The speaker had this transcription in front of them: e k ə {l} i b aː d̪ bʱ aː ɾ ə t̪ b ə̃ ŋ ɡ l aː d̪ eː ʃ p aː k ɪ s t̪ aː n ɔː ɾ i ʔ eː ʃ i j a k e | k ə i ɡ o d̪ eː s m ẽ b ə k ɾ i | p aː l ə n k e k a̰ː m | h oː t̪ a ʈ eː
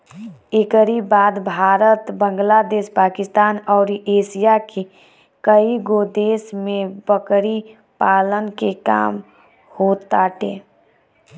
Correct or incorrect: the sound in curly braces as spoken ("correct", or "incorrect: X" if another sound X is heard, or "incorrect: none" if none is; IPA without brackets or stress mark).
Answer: incorrect: ɾ